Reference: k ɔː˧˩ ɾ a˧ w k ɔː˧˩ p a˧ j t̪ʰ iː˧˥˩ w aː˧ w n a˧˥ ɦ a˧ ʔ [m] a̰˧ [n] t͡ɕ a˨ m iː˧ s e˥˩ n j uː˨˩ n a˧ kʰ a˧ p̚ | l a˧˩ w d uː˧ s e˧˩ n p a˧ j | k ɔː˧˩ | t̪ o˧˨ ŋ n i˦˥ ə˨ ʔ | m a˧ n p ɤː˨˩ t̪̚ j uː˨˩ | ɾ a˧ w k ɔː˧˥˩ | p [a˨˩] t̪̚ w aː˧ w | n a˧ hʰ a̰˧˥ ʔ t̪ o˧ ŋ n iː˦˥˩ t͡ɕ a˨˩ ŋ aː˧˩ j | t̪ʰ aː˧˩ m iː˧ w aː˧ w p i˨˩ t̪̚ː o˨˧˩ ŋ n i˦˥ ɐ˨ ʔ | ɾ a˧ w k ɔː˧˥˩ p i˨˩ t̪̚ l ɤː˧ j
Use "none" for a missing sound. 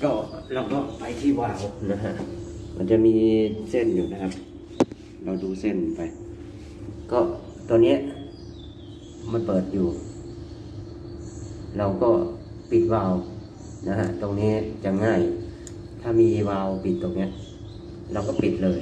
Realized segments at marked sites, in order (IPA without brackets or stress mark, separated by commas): m, n, i˨˩